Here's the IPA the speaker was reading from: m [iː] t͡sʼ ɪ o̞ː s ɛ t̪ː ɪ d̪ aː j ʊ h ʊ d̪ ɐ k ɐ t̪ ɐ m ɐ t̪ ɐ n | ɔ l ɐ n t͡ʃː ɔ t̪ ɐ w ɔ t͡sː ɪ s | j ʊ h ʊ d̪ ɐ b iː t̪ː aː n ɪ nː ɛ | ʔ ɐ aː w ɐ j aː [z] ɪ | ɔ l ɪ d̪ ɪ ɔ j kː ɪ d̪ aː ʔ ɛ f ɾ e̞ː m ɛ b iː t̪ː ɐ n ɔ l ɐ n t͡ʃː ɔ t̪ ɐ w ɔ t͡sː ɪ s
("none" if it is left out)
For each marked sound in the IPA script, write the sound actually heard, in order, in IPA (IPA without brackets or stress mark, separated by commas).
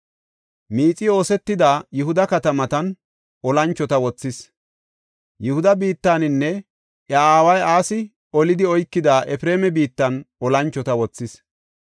iː, s